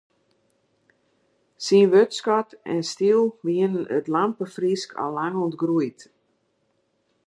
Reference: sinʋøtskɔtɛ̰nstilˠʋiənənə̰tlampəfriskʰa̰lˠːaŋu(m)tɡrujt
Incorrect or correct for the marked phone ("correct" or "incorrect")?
incorrect